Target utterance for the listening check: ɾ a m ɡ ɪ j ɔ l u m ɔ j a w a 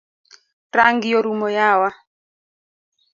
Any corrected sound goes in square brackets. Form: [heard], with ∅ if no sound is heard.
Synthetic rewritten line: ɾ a [ŋ] ɡ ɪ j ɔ [ɾ] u m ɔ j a w a